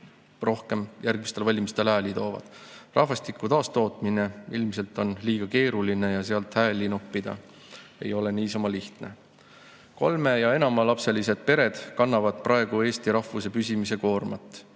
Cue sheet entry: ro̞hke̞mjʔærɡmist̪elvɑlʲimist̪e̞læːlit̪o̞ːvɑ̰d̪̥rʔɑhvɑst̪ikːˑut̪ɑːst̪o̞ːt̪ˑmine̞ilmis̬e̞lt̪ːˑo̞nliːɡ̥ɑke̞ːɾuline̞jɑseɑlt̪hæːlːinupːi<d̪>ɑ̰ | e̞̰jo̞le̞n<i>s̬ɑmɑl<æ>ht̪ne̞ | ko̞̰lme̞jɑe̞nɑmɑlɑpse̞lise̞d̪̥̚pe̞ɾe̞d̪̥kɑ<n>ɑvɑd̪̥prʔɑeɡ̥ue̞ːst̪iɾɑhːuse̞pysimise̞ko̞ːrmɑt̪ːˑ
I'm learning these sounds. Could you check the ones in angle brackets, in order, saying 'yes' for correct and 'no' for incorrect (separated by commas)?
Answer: yes, no, no, no